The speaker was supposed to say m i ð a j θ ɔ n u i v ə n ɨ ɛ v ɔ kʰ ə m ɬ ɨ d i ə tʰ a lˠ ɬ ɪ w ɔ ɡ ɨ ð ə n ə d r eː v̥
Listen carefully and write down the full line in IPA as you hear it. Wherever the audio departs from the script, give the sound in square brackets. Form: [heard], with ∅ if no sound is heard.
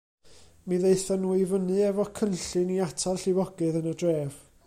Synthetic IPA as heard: m i ð [e] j θ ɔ n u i v ə n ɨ ɛ v ɔ kʰ ə [n] ɬ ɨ [n] i [a] tʰ a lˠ ɬ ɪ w ɔ ɡ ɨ ð ə n ə d r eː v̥